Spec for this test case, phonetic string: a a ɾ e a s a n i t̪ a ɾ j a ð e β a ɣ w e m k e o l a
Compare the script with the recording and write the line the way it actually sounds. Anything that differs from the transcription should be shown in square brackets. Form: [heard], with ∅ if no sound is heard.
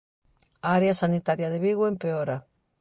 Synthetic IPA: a a ɾ e a s a n i t̪ a ɾ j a ð e β [i] ɣ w e m [p] e o [ɾ] a